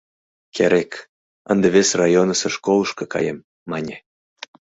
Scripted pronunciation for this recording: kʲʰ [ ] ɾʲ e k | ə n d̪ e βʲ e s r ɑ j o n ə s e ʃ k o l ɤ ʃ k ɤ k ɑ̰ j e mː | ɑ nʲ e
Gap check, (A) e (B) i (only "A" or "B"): A